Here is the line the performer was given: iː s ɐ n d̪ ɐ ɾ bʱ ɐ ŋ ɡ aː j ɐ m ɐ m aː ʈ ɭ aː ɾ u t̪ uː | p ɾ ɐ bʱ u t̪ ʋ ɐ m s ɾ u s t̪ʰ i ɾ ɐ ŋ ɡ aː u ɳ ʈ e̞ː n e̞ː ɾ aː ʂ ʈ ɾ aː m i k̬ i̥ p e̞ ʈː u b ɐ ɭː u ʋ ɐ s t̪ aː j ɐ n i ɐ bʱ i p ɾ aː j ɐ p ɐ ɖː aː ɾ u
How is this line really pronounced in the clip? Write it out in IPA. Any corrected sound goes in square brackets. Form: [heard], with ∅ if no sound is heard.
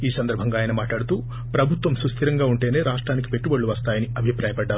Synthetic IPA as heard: iː s ɐ n d̪ ɐ ɾ bʱ ɐ ŋ ɡ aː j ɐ [n] ɐ m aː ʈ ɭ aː [ɽ] u t̪ uː | p ɾ ɐ bʱ u t̪ ʋ ɐ m s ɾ u s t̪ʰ i ɾ ɐ ŋ ɡ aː u ɳ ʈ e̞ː n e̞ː ɾ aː ʂ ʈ ɾ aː [n] i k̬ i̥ p e̞ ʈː u b ɐ ɭː u ʋ ɐ s t̪ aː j ɐ n i ɐ bʱ i p ɾ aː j ɐ p ɐ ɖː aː ɾ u